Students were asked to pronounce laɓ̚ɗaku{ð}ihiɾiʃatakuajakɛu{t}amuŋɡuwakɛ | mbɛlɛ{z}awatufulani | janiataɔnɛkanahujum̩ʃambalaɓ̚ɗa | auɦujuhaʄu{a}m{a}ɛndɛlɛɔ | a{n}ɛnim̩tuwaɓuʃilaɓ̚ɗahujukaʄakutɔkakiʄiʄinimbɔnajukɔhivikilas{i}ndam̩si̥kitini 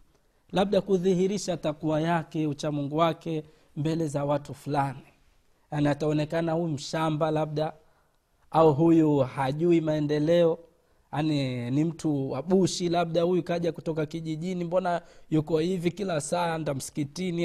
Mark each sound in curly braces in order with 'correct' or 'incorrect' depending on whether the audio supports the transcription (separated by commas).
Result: correct, incorrect, correct, incorrect, correct, correct, incorrect